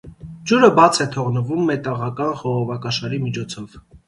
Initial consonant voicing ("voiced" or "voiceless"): voiced